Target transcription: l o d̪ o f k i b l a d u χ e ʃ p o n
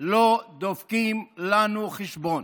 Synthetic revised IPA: l o d̪ o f k i m l a n u χ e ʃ b o n